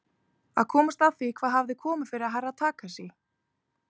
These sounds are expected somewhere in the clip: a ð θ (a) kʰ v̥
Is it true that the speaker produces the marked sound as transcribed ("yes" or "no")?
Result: no